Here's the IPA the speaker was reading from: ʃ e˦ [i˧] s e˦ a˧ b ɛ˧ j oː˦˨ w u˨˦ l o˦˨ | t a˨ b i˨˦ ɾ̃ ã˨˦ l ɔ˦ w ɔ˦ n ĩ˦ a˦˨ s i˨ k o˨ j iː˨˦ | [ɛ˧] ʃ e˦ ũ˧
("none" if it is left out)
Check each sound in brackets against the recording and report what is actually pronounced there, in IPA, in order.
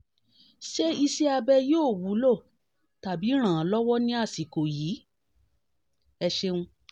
i˧, ɛ˧

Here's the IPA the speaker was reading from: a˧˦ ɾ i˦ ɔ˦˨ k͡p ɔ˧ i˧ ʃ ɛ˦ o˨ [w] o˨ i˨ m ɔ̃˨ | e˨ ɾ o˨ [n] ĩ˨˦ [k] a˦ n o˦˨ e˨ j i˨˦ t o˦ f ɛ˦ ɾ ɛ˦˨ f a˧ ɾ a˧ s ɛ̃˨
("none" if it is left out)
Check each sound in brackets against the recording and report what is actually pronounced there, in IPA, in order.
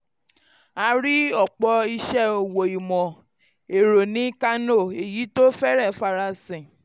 w, n, k

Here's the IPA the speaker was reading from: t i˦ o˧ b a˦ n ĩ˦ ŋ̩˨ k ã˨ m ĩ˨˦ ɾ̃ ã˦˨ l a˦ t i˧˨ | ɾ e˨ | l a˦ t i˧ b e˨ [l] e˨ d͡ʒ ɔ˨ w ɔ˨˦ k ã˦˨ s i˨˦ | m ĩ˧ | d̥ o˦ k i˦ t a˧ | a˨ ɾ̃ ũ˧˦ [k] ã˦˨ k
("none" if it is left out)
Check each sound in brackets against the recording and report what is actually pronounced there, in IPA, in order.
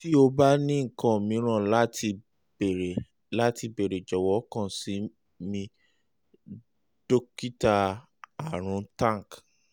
ɾ, t

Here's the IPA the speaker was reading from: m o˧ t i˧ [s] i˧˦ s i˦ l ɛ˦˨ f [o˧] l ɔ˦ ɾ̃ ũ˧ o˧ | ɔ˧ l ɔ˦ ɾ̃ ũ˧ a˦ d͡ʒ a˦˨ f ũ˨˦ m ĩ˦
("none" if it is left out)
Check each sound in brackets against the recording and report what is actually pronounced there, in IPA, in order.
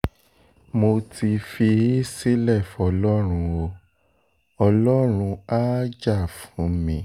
f, ɔ˧

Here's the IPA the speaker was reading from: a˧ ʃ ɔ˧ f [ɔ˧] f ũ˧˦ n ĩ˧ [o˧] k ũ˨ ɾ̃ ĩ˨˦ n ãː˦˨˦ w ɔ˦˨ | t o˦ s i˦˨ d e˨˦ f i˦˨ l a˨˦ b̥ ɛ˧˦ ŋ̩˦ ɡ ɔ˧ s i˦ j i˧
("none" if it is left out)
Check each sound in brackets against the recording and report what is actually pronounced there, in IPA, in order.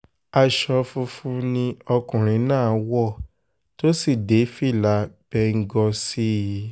u˧, ɔ˧

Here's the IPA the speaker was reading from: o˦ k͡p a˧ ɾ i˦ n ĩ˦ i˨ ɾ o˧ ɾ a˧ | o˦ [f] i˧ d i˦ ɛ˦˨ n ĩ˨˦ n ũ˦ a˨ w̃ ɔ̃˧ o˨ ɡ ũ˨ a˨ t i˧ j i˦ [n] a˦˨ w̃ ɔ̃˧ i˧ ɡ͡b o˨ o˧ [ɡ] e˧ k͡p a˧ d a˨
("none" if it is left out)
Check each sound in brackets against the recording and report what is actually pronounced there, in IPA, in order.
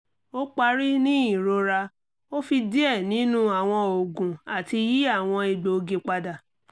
f, none, ɡ

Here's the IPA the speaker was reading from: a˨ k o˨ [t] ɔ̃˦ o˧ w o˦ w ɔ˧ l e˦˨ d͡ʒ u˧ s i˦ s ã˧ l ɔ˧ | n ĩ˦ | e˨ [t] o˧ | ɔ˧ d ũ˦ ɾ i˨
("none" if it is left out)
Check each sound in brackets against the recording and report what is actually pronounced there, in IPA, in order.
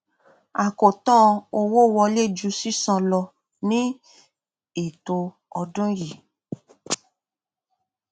t, t

